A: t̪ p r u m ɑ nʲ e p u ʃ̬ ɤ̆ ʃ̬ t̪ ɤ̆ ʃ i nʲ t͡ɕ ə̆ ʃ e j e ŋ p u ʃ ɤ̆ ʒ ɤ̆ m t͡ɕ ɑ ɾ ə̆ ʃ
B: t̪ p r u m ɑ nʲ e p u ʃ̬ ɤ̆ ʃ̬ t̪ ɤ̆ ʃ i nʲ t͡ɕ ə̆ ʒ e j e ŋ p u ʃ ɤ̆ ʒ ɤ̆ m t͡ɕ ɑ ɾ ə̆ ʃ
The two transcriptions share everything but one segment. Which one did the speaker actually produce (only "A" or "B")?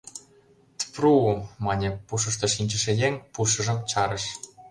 A